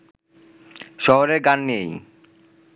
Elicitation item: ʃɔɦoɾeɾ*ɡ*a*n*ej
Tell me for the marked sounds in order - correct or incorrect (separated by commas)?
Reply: correct, incorrect